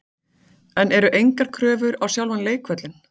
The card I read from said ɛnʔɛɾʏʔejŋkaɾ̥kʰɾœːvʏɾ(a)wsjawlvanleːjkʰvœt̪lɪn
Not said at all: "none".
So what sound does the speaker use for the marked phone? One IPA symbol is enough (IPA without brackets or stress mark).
a